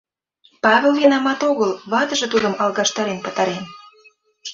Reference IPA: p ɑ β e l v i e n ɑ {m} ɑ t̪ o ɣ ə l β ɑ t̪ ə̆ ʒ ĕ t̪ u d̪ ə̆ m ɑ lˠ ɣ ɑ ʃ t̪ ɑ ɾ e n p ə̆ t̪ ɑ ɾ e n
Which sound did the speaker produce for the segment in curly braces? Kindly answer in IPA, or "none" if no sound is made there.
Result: m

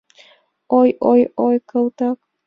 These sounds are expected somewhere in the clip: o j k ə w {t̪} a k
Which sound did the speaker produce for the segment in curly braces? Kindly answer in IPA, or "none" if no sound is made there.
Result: t̪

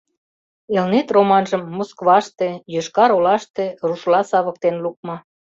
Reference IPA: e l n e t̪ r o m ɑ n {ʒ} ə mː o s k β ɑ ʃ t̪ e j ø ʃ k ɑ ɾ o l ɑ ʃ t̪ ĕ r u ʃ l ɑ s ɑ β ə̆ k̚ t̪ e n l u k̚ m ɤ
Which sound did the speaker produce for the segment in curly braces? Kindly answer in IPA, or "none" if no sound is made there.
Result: ʒ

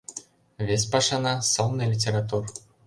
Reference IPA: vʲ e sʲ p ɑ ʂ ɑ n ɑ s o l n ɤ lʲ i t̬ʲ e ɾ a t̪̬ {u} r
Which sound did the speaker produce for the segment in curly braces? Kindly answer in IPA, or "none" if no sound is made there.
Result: u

